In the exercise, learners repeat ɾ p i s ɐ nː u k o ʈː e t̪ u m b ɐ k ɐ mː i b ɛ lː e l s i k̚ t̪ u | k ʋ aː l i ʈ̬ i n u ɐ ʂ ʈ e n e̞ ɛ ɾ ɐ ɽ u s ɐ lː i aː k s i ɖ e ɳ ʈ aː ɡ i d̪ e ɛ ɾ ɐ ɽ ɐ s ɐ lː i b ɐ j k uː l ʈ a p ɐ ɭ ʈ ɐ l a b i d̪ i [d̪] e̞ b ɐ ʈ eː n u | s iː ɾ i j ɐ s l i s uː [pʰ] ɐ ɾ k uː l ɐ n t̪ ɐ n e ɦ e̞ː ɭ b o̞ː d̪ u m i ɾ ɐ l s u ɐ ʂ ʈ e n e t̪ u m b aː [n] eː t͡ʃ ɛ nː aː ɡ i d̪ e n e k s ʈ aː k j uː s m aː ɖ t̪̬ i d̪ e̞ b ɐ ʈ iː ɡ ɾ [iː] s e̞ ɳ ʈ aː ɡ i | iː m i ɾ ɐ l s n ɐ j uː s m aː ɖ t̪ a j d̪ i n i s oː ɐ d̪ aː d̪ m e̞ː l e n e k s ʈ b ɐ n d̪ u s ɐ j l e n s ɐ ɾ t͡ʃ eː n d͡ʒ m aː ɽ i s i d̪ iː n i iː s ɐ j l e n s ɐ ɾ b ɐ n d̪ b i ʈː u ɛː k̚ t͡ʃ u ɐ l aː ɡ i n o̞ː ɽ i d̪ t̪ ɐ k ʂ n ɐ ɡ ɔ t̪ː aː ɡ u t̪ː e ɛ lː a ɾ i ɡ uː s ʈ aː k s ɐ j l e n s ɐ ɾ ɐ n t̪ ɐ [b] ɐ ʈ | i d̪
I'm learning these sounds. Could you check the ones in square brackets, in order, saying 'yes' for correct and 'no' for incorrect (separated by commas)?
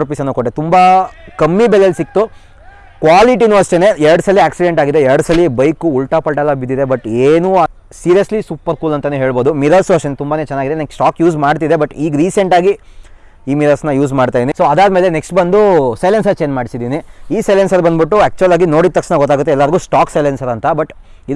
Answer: yes, no, yes, yes, yes